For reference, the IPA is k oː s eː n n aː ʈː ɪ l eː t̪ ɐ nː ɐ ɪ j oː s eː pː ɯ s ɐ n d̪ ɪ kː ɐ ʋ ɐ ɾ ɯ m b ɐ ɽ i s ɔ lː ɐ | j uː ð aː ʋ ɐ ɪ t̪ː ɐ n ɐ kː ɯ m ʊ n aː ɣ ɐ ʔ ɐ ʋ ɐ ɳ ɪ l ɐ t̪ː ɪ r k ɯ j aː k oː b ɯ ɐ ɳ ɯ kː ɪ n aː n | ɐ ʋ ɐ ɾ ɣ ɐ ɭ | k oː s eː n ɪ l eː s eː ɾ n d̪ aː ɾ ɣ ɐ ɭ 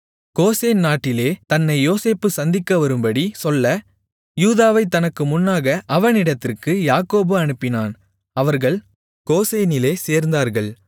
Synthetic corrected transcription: k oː s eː n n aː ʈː ɪ l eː t̪ ɐ nː ɐ ɪ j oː s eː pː ɯ s ɐ n d̪ ɪ kː ɐ ʋ ɐ ɾ ɯ m b ɐ ɽ i s ɔ lː ɐ | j uː ð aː ʋ ɐ ɪ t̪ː ɐ n ɐ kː ɯ m ʊ nː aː ɣ ɐ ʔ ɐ ʋ ɐ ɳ ɪ ɽ ɐ t̪ː ɪ r k ɯ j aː k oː b ɯ ɐ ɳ ɯ pː ɪ n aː n | ɐ ʋ ɐ ɾ ɣ ɐ ɭ | k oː s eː n ɪ l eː s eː ɾ n d̪ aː ɾ ɣ ɐ ɭ